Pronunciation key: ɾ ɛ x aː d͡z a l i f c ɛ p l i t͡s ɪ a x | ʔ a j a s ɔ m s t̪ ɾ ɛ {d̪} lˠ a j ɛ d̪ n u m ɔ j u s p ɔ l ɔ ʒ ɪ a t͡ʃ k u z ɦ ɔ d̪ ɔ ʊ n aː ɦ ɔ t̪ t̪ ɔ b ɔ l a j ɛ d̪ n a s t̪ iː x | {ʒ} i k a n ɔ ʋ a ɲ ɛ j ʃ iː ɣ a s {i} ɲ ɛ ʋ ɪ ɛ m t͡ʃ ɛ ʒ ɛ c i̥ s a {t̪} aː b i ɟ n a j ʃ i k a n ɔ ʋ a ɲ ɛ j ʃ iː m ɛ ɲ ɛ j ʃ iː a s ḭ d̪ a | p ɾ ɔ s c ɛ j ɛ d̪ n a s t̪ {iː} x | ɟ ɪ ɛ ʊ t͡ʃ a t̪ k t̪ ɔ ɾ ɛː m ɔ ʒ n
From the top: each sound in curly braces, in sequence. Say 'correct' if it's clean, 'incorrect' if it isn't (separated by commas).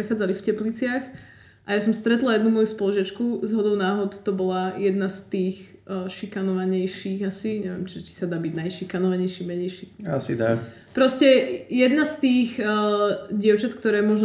incorrect, incorrect, correct, incorrect, correct